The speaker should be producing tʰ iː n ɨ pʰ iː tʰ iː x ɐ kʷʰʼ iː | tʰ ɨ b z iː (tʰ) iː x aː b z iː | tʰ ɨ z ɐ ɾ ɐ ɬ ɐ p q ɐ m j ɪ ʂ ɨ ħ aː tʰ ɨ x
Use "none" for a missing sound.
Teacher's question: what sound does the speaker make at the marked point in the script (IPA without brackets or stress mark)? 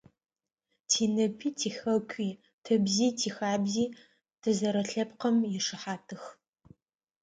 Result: tʰ